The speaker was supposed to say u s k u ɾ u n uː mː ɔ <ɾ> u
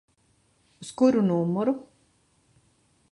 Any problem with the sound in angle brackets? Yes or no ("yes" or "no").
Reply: no